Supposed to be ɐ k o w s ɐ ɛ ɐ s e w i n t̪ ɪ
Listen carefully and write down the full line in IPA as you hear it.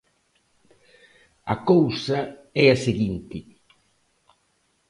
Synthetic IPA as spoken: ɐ k o w s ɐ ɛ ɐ s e ɣ i n t̪ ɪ